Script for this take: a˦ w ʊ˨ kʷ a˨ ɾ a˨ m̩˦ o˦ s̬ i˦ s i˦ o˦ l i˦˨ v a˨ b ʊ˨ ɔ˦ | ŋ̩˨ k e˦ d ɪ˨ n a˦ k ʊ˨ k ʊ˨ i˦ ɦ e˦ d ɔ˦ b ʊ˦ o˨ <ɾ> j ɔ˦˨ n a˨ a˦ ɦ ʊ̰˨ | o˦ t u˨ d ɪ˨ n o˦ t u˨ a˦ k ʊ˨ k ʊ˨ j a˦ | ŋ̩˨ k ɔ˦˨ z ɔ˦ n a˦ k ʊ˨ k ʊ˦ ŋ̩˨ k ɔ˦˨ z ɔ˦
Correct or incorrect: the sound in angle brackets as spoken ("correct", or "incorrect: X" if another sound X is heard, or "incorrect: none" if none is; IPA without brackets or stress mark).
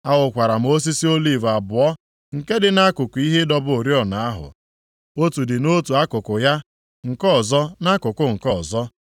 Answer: correct